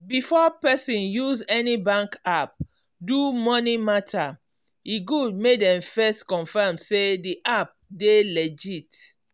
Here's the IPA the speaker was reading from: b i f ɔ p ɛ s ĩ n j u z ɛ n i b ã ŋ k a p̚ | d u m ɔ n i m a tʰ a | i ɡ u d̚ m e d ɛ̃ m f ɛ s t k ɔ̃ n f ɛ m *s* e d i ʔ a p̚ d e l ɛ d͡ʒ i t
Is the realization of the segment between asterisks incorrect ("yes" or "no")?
no